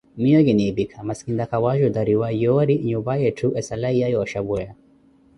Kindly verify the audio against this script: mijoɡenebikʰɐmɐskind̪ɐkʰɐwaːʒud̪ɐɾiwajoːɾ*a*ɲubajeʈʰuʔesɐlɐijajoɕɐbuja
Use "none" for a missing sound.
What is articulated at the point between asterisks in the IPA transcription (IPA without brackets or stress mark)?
i